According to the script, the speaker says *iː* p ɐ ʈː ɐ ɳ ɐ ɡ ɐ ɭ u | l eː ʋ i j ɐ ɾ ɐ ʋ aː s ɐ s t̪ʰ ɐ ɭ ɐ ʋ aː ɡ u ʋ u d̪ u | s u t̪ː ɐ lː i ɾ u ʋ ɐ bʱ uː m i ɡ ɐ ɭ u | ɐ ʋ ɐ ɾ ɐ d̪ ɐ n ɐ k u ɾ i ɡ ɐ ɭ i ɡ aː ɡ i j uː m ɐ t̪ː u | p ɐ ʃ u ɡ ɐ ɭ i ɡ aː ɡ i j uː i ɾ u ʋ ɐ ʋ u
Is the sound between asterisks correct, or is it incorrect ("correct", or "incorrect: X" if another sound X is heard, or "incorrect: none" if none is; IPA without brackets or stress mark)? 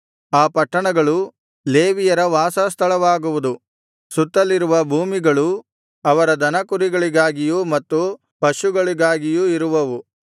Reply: incorrect: aː